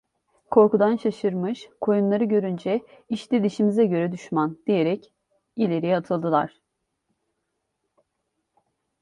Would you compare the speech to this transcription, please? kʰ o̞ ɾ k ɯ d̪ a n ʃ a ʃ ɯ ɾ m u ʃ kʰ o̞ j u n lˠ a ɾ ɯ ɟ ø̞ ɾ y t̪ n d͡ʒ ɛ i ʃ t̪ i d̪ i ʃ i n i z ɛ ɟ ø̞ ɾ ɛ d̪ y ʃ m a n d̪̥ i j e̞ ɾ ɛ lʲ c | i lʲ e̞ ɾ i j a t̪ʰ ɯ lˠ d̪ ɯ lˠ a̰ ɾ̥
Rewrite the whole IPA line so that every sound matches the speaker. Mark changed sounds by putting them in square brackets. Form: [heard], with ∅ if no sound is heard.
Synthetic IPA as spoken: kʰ o̞ ɾ k [u] d̪ a n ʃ a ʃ ɯ ɾ m [ɯ] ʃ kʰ o̞ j u n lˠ a ɾ ɯ ɟ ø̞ ɾ y [∅] n d͡ʒ ɛ i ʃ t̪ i d̪ i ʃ i [m] i z ɛ ɟ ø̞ ɾ ɛ d̪ y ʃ m a n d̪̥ i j e̞ ɾ ɛ [∅] c | i lʲ e̞ ɾ i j a t̪ʰ ɯ lˠ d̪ ɯ lˠ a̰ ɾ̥